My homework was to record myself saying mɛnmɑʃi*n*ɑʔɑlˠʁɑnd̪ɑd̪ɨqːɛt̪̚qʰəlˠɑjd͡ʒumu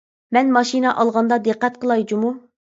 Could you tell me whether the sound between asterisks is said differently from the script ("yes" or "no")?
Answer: no